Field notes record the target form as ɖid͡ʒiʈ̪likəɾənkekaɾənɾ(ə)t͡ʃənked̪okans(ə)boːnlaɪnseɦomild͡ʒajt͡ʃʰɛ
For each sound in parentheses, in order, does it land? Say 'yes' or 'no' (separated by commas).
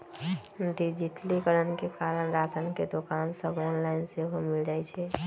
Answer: no, yes